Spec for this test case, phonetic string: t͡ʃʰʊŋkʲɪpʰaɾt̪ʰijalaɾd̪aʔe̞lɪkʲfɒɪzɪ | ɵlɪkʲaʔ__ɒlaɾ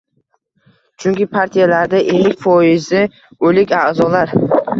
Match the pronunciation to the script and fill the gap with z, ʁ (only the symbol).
z